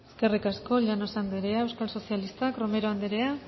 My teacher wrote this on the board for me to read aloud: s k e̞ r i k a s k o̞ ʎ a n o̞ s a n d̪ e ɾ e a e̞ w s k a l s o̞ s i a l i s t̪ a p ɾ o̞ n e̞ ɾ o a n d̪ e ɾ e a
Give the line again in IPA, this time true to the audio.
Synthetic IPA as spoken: s k e̞ r i k a s k o̞ ʎ a n o̞ s a n d̪ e ɾ e a e̞ w s k a l s o̞ s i a l i s t̪ a k ɾ o̞ m e̞ ɾ o a n d̪ e ɾ e a